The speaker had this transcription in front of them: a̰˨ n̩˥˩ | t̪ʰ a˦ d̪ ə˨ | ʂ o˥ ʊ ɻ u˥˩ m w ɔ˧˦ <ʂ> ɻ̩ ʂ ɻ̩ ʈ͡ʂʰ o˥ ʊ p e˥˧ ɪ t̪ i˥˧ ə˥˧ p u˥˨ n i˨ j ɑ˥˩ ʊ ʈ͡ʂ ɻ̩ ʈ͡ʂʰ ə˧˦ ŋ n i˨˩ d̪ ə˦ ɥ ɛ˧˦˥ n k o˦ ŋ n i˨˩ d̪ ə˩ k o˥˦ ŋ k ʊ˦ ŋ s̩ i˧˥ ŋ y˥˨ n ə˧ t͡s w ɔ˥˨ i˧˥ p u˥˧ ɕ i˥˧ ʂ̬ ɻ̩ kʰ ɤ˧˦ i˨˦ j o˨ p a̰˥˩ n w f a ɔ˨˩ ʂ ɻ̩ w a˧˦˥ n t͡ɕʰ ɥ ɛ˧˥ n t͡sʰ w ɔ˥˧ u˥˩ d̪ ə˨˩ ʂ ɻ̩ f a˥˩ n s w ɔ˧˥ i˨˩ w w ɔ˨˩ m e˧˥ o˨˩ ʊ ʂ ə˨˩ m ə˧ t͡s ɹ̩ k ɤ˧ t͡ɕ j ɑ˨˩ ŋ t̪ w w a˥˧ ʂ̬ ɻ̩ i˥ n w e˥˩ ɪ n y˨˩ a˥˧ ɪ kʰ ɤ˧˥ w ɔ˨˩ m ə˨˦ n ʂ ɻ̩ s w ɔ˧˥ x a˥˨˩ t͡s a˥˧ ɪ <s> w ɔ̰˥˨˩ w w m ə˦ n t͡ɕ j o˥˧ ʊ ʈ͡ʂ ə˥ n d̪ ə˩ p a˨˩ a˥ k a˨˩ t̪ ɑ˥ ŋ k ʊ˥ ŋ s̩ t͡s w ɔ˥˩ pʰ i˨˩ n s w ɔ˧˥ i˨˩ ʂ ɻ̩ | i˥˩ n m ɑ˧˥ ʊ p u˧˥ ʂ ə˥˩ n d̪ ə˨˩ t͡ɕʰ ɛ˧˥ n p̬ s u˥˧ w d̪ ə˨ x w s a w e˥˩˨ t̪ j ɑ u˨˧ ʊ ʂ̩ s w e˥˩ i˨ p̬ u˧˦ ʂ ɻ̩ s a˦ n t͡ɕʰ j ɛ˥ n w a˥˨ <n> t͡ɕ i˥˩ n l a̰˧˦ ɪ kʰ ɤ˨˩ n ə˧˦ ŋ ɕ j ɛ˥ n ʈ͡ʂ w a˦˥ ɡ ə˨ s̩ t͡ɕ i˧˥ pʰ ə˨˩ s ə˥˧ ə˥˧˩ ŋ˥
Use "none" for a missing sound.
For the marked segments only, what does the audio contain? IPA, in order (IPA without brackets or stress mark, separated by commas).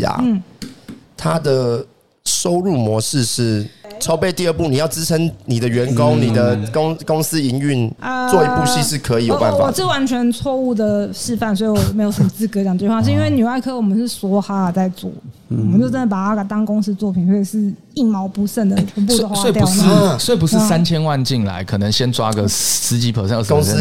ʂ, t͡s, n